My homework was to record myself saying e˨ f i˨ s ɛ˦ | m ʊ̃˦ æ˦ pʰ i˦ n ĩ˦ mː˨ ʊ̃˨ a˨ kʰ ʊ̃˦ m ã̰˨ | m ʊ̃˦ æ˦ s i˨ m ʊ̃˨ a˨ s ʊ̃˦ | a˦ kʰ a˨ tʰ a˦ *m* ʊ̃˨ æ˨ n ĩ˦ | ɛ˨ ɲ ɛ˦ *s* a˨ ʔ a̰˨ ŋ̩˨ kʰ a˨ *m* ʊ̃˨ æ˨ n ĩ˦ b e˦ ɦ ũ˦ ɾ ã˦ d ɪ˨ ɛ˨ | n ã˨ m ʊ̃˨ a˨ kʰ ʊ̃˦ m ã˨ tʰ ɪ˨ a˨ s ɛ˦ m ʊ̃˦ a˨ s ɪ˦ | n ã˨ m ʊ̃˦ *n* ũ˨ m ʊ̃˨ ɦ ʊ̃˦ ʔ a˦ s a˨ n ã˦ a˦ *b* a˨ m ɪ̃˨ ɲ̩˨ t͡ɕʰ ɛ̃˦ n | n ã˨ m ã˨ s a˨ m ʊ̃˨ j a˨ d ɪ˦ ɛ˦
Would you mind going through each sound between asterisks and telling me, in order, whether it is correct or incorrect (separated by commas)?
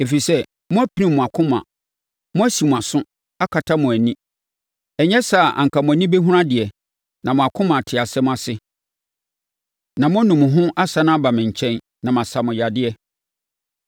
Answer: correct, correct, correct, correct, correct